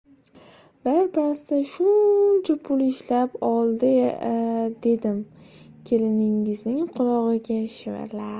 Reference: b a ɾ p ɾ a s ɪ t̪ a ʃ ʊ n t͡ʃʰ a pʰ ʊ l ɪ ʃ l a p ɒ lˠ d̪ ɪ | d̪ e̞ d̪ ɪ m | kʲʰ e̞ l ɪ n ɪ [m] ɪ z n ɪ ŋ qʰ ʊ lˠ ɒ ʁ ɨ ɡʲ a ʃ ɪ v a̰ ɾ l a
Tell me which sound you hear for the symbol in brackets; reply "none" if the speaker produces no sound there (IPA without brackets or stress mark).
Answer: ŋ